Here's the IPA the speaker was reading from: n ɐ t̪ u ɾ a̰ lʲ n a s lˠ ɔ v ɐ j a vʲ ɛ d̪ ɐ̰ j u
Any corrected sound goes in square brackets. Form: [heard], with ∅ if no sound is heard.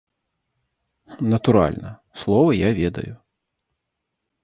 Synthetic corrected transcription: n ɐ t̪ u ɾ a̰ lʲ n [ɐ] s lˠ ɔ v ɐ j a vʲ ɛ d̪ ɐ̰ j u